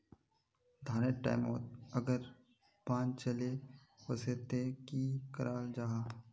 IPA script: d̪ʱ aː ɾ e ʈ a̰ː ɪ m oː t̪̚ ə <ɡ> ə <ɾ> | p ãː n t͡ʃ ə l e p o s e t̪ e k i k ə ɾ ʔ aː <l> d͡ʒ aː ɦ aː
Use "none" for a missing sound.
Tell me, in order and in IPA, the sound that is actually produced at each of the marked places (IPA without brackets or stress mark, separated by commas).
ɡ, ɾ, l